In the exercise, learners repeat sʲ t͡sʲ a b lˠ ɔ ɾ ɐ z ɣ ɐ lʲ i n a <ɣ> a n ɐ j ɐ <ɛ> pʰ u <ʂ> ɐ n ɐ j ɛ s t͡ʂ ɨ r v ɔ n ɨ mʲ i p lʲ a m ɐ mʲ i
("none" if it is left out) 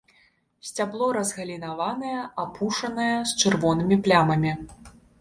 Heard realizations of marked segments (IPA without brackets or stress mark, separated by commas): v, a, ʂ